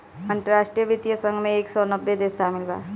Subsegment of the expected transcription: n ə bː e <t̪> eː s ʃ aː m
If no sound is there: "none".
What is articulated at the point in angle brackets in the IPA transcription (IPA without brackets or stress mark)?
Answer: d̪